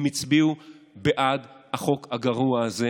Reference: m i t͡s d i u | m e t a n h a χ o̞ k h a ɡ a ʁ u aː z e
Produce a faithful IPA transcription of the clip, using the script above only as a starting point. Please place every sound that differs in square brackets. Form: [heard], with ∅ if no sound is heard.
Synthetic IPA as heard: m i t͡s [b] i u | [b] e [ʔ] a [d] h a χ o̞ k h a ɡ a ʁ u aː z e